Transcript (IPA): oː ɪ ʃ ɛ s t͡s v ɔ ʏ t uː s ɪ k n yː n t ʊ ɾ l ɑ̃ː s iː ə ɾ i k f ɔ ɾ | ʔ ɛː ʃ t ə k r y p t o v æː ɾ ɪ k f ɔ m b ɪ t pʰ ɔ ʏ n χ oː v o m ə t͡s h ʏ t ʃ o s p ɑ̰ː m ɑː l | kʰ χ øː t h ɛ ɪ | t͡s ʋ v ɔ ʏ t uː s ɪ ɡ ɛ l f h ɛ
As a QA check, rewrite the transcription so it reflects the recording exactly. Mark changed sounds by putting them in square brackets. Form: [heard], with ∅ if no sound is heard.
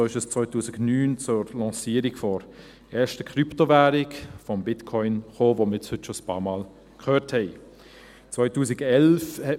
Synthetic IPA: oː ɪ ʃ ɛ s t͡s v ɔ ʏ t uː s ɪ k n yː n [t͡s] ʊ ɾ l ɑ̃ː s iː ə ɾ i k f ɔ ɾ | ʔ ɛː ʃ t ə k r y p t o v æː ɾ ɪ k f ɔ m b ɪ t [kʰ] ɔ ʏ n χ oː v o m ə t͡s h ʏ t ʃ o s p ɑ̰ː m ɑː l | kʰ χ øː t h ɛ ɪ | t͡s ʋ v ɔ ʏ t uː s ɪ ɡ ɛ l f h ɛ

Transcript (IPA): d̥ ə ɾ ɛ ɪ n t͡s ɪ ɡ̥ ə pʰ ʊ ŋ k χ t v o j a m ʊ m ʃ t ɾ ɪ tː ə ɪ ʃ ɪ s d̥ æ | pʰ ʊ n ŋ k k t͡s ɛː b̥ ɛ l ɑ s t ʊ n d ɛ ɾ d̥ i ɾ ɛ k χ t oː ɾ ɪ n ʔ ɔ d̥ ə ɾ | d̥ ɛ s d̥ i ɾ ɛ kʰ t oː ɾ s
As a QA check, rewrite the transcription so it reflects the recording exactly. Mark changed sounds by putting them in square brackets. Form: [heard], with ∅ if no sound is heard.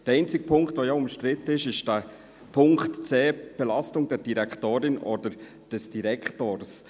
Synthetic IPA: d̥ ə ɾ ɛ ɪ n t͡s ɪ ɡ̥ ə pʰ ʊ ŋ k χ t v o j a [∅] ʊ m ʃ t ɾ ɪ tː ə ɪ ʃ ɪ [ʃ] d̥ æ | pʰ ʊ [∅] ŋ k [t] t͡s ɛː b̥ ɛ l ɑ s t ʊ [ŋ] d ɛ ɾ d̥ i ɾ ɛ k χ t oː ɾ ɪ n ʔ ɔ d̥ ə ɾ | d̥ ɛ s d̥ i ɾ ɛ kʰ t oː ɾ s

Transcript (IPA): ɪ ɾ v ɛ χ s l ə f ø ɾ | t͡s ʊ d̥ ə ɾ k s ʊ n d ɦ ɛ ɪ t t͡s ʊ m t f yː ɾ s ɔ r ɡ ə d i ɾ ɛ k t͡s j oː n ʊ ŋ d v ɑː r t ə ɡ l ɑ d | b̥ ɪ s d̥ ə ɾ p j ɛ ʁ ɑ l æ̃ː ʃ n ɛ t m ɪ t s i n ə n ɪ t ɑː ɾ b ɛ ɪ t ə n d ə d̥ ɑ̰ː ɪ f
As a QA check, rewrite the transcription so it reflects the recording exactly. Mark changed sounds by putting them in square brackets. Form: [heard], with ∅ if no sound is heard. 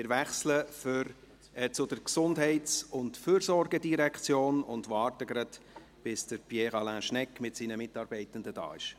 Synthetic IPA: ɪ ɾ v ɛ χ s l ə f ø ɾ | t͡s ʊ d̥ ə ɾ k s ʊ n d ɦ ɛ ɪ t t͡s ʊ [n] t f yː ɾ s ɔ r ɡ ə d i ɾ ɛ k t͡s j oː n ʊ [n] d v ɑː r t ə ɡ [ɾ] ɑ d | b̥ ɪ s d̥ ə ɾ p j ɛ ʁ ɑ l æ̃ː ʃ n ɛ [k] m ɪ t s i n ə [m] ɪ t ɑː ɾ b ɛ ɪ t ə n d ə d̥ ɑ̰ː ɪ [ʃ]

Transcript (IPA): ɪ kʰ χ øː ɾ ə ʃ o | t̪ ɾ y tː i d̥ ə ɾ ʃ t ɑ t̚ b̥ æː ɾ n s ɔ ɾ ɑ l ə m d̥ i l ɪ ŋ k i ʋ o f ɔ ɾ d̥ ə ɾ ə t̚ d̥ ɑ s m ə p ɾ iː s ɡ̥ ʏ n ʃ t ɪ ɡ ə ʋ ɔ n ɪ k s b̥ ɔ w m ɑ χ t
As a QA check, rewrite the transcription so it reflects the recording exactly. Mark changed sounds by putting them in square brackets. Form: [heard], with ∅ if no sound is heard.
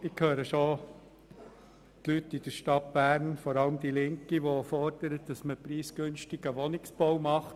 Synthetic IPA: ɪ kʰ [h] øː ɾ ə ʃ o | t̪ [l] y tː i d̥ ə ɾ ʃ t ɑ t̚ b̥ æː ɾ n [f] ɔ ɾ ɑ l ə m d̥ i l ɪ ŋ k i ʋ o f ɔ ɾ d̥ ə ɾ ə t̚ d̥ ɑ s m ə p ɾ iː s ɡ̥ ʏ n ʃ t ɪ ɡ ə ʋ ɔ n ɪ k s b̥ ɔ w m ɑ χ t

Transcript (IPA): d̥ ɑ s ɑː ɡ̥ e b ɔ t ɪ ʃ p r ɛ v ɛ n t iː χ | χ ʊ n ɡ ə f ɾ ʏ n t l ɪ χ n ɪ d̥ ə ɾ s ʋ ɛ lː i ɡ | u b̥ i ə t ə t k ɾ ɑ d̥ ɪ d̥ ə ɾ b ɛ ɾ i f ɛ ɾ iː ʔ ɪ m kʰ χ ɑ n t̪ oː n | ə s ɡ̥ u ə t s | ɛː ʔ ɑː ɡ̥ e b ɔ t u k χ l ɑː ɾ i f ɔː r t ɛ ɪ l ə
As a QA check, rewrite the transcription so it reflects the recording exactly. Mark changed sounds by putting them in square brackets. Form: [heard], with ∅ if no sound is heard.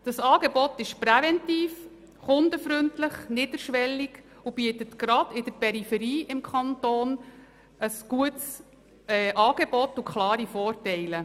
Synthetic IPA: d̥ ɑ s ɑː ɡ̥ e b ɔ t ɪ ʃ p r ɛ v ɛ n t iː [f] | χ ʊ n [d] ə f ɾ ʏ n t l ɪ χ n ɪ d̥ ə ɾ [ʃ] ʋ ɛ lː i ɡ | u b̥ i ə t ə t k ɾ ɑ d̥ ɪ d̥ ə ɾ [p] ɛ ɾ i f ɛ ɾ iː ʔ ɪ m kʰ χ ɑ n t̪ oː n | ə s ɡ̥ u ə t s | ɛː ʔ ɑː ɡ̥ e b ɔ t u k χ l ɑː ɾ i f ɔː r t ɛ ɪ l ə

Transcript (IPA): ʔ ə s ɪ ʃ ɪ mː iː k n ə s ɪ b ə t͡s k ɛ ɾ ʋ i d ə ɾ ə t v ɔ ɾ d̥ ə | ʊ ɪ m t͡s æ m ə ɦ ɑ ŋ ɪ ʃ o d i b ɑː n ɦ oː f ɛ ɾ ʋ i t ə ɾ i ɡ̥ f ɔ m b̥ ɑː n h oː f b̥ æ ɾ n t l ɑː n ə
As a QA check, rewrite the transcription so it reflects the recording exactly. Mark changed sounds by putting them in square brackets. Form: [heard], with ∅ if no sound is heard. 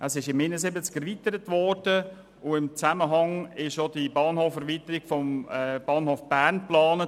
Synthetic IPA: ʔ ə s ɪ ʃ ɪ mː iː [∅] n ə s ɪ b ə t͡s k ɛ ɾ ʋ i [t] ə ɾ ə t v ɔ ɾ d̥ ə | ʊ ɪ m t͡s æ m ə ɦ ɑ ŋ ɪ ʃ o d i b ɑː n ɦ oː f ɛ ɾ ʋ i t ə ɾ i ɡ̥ f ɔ m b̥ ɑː n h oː f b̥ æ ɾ n [p] l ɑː n ə

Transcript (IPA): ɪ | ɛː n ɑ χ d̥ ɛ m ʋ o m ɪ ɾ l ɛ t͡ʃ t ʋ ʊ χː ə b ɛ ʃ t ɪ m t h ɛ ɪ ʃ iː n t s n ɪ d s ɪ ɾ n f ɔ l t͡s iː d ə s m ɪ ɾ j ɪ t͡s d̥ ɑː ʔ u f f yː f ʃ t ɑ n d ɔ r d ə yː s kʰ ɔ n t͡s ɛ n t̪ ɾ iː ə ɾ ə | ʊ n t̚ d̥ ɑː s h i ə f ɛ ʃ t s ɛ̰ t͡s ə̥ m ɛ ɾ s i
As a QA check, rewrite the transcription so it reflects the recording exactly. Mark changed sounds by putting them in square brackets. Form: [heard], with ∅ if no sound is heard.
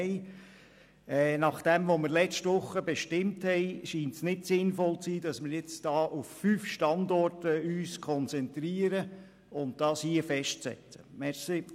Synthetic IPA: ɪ | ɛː n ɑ χ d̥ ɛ m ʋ o m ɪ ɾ l ɛ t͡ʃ t ʋ ʊ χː ə b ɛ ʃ t ɪ m t h ɛ ɪ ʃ iː n t s n ɪ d s ɪ [∅] n f ɔ l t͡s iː d [ɑ] s m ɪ ɾ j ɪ t͡s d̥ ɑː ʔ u f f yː f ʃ t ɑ n d ɔ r [t] ə yː s kʰ ɔ n t͡s ɛ n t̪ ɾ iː ə ɾ ə | ʊ n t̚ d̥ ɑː s h i ə f ɛ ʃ t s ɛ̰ t͡s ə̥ m ɛ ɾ s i

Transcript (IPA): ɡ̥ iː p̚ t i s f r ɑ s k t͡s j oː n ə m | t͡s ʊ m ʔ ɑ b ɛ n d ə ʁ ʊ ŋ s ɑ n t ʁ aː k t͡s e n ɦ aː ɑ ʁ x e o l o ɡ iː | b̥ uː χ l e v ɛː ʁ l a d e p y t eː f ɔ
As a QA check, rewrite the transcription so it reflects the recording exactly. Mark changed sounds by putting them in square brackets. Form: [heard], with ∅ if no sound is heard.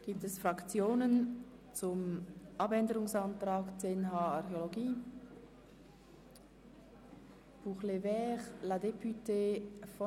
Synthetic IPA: ɡ̥ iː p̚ t [ɛ] s f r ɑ [∅] k t͡s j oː n ə [n] | t͡s ʊ m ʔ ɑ b ɛ n d ə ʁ ʊ ŋ s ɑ n t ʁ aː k t͡s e n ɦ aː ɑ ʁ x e o l o ɡ iː | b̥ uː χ l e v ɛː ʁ l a d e p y t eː f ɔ

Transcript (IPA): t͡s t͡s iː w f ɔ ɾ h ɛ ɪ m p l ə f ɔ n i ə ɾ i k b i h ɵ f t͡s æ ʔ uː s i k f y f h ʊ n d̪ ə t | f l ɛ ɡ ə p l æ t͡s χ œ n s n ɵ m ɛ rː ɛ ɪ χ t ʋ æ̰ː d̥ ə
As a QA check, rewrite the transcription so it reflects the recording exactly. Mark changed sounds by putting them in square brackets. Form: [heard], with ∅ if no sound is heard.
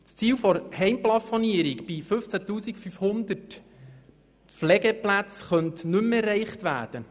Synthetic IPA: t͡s t͡s iː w f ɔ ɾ h ɛ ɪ m p l [ɑ] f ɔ n i ə ɾ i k b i [f] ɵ f t͡s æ [t] uː s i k f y f h ʊ n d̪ ə t | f l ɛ ɡ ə p l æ t͡s χ œ n [t] n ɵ m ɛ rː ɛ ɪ χ t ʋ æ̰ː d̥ ə

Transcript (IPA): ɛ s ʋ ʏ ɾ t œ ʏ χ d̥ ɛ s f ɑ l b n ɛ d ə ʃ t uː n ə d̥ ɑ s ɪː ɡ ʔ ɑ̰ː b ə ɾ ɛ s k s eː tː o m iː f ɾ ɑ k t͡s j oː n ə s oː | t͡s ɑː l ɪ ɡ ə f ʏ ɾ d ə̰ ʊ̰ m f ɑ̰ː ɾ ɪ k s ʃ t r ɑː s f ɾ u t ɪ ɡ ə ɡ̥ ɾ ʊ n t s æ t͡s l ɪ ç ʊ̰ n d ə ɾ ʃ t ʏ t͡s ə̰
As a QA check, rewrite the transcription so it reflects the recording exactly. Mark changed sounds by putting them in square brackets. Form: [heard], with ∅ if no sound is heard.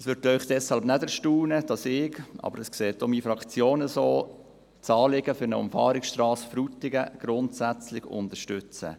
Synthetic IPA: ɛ s ʋ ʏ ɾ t œ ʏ χ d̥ ɛ s [h] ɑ l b n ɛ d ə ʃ t uː n ə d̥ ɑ s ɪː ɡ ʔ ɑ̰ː b ə ɾ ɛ s k s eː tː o m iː f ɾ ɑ k t͡s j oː n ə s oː | t͡s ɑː l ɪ ɡ ə f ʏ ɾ [n] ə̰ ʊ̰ m f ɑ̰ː ɾ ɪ k s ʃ t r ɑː s f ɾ u t ɪ ɡ ə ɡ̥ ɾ ʊ n t s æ t͡s l ɪ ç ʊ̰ n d ə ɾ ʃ t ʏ t͡s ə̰

